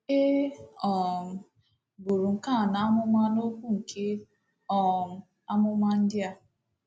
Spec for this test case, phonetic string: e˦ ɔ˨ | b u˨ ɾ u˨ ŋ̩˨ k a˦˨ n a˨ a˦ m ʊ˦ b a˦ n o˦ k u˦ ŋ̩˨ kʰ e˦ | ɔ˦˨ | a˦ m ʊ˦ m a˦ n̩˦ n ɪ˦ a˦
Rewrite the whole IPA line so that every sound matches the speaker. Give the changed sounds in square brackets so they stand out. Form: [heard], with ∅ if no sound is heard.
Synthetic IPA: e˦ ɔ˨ | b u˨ ɾ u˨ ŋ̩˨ k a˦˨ n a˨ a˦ m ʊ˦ [m] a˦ n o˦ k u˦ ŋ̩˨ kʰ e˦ | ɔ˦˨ | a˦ m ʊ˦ m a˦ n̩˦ [d] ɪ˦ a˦